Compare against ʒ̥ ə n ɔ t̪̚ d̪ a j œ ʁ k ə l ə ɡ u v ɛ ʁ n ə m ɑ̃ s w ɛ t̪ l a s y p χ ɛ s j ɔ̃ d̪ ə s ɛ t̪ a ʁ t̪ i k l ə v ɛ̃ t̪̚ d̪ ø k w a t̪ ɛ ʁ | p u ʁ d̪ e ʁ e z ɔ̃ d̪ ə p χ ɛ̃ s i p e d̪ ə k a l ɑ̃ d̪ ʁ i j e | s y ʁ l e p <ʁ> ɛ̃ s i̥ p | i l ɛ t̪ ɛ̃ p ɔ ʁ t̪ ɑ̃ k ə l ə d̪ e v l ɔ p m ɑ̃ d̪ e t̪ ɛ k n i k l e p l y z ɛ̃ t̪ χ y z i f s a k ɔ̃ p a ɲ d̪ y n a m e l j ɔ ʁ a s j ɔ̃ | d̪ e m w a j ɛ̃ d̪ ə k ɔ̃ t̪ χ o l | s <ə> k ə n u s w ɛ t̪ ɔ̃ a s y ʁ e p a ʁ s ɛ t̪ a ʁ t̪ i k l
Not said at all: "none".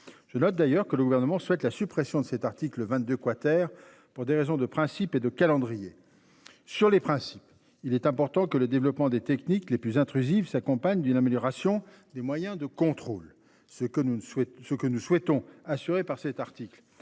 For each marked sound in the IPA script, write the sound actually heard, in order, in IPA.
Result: χ, ə

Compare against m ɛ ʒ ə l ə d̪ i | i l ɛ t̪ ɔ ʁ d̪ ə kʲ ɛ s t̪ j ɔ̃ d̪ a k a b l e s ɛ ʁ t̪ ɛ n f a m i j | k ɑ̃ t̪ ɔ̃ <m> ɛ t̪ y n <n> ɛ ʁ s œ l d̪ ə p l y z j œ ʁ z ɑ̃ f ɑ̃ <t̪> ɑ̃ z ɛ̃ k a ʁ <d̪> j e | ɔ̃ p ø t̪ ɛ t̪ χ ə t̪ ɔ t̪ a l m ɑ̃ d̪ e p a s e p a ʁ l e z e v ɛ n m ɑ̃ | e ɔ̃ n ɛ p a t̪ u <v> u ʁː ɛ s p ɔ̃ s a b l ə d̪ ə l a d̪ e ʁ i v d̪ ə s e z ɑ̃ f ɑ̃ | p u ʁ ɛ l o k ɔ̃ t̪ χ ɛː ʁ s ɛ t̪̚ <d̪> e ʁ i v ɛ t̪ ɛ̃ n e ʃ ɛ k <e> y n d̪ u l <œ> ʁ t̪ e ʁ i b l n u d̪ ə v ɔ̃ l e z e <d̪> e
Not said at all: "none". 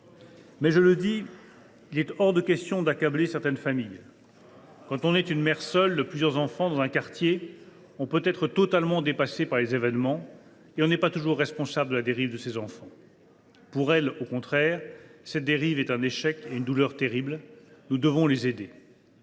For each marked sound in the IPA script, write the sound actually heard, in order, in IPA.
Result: n, m, d̪, t̪, ʒ, d̪, e, œ, d̪

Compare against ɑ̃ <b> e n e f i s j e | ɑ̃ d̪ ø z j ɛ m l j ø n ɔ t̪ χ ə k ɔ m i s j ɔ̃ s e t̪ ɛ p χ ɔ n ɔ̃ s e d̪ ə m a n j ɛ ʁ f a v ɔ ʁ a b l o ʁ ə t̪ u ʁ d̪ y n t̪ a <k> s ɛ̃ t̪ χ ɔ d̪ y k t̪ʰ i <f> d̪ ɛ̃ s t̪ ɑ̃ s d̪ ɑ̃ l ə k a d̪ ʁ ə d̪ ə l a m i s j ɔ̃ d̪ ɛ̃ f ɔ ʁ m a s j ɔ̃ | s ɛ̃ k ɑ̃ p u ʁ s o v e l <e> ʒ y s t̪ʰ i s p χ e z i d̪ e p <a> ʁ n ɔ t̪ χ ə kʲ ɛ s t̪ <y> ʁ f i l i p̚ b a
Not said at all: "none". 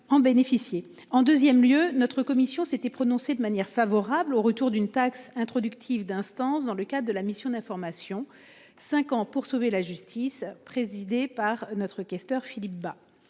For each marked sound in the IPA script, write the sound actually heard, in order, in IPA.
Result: b, k, v, a, a, œ

